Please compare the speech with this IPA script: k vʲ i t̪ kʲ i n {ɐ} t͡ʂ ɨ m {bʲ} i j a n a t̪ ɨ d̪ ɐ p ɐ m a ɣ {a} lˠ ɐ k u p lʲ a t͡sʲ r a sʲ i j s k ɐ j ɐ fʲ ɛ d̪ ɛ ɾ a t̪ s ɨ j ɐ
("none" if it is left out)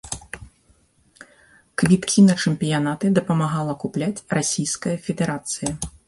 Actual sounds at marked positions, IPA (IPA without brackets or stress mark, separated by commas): ɐ, pʲ, a